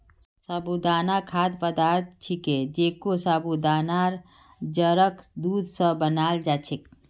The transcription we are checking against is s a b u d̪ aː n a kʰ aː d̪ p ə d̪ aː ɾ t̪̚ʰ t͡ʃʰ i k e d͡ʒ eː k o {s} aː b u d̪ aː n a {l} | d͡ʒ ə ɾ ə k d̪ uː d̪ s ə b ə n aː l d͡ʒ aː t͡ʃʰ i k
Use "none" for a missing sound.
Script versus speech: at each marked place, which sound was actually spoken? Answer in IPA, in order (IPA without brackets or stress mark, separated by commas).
s, ɾ